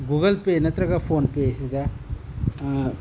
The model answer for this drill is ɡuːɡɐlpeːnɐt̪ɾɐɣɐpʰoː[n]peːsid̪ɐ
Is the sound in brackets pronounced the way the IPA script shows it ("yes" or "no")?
yes